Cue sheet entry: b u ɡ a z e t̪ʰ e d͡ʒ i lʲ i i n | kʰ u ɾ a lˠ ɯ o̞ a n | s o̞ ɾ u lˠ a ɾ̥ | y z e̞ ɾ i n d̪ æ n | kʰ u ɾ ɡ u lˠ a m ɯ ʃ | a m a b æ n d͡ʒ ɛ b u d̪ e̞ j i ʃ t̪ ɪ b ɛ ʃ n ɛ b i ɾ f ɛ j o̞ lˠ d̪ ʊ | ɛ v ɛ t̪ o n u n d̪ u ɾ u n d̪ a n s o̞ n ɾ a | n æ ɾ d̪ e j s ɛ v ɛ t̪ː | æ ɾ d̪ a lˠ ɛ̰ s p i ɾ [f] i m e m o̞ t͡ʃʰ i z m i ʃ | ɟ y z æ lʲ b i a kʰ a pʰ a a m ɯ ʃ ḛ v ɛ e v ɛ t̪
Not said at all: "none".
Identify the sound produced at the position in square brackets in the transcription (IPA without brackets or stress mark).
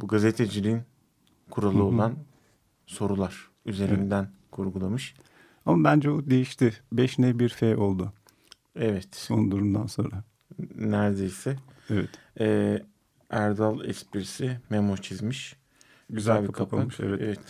s